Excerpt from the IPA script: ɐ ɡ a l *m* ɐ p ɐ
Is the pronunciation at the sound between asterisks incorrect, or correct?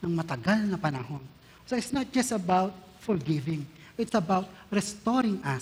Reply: incorrect